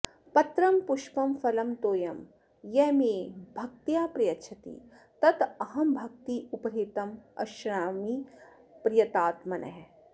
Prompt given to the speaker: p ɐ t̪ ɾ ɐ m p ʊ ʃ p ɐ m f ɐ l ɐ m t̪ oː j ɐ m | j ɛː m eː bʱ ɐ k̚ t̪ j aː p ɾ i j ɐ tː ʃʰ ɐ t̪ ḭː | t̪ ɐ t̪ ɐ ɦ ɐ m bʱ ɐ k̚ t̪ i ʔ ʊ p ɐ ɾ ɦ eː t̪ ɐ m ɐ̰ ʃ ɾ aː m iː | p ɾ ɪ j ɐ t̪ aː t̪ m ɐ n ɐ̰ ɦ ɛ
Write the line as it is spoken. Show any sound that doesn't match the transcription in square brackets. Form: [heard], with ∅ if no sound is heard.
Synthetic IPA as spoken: p ɐ t̪ ɾ ɐ m p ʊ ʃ p ɐ m f ɐ l ɐ m t̪ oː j ɐ m | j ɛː m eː bʱ ɐ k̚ t̪ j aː p ɾ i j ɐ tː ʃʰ ɐ t̪ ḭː | t̪ ɐ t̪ ɐ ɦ ɐ m bʱ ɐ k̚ t̪ i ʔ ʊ p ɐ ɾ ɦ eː t̪ ɐ m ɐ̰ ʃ ɾ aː m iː | p ɾ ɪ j ɐ t̪ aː t̪ m ɐ n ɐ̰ ɦ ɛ